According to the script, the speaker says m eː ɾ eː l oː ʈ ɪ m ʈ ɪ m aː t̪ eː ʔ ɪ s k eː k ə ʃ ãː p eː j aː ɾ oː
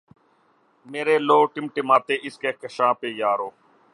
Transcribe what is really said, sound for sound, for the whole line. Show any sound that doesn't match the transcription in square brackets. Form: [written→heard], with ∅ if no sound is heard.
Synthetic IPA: m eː ɾ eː l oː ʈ ɪ m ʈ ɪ m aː t̪ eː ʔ ɪ s k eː k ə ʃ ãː p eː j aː ɾ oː